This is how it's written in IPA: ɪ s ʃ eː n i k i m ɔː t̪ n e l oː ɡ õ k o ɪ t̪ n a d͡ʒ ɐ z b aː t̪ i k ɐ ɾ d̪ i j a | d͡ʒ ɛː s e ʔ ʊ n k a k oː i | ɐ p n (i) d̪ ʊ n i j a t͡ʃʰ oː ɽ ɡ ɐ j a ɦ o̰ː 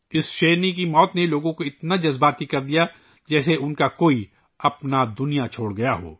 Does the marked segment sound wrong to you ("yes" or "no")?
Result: yes